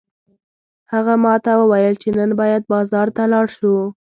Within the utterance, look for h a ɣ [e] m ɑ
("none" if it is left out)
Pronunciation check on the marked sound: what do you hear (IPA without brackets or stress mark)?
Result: a